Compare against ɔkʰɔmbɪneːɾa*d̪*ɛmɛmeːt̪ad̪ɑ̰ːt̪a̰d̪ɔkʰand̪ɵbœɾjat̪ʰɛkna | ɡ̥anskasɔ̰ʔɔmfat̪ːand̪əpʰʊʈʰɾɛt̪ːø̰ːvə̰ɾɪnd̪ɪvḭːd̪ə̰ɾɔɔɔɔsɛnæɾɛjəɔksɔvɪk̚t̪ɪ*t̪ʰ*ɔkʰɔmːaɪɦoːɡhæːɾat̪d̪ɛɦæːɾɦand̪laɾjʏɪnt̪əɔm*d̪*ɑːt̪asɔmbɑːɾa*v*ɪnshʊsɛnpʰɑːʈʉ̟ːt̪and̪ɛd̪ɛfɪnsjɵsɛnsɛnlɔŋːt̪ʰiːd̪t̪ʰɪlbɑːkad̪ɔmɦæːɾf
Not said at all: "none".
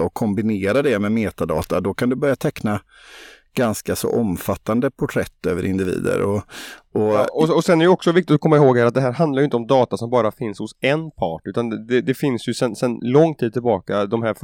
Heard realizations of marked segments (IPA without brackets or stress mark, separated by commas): d̪, t̪, d̪, f